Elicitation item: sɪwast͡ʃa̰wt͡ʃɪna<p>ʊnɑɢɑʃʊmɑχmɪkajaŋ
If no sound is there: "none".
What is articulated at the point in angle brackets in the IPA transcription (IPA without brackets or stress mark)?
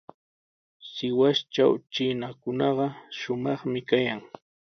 k